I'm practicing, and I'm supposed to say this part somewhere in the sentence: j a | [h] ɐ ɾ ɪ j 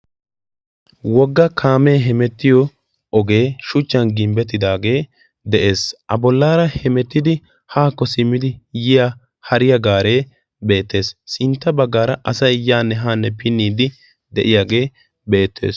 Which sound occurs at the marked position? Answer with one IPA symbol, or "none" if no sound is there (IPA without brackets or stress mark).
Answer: h